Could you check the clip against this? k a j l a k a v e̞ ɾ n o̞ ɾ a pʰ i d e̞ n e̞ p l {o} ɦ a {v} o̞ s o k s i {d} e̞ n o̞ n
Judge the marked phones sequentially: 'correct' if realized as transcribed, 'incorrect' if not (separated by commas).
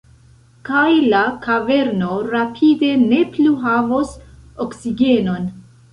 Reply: incorrect, correct, incorrect